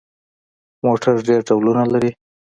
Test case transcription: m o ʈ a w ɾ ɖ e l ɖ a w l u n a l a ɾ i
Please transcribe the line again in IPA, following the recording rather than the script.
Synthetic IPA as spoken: m o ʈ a ɾ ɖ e ɾ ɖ a w l u n a l a ɾ i